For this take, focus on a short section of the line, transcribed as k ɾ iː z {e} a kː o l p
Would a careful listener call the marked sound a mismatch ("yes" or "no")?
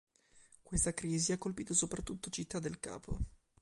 yes